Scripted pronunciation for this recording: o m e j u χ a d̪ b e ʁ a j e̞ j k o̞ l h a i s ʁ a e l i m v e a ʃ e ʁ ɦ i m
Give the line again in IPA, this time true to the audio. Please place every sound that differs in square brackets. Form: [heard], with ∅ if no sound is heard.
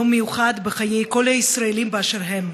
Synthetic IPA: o m e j u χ a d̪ b e [χ] a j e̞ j k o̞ l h a i s ʁ a e l i m [b] e a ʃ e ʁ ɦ [e] m

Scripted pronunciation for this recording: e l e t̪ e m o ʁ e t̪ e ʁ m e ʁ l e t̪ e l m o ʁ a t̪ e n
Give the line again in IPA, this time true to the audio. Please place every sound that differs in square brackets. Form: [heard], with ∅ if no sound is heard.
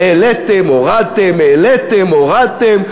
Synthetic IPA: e l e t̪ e m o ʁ [a] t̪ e [∅] m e [∅] l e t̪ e [∅] m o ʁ a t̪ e [m]

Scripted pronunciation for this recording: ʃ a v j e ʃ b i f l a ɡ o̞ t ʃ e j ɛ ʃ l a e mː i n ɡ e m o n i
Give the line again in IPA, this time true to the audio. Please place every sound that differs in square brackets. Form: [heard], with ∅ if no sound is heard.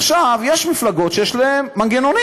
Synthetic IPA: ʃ a v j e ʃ [m] i f l a ɡ o̞ t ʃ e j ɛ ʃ l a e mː [a] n ɡ e [n] o n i

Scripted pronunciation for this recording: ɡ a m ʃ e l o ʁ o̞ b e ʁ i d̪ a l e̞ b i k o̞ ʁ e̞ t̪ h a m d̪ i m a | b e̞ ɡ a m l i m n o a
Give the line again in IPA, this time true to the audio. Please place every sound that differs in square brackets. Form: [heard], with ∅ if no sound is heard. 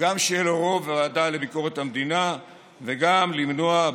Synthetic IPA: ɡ a m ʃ e l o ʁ o̞ [v] e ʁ [a] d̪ a l e̞ b i k o̞ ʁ e̞ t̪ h a m d̪ i [n] a | [v] e̞ ɡ a m l i m n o a

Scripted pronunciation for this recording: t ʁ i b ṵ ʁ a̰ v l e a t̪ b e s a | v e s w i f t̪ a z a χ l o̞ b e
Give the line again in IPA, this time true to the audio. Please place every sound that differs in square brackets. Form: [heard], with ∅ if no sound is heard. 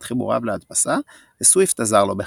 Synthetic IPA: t [χ] i b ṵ ʁ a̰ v l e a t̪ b [a] s a | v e s w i f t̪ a z a [ʁ] l o̞ b e

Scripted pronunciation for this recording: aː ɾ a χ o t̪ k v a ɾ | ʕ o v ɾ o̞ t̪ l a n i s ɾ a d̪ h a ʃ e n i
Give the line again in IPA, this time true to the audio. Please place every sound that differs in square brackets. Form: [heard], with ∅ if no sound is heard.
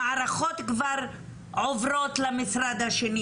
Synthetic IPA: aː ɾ a χ o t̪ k v a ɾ | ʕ o v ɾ o̞ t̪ l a [m] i s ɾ a d̪ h a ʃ e n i

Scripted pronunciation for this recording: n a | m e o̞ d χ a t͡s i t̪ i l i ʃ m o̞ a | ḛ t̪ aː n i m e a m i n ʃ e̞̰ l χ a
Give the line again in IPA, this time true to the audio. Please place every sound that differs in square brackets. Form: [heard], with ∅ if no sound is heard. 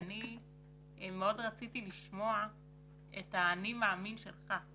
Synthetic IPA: n [i] | m e o̞ d [ʁ] a t͡s i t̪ i l i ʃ m o̞ a | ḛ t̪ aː n i m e a m i n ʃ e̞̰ l χ a

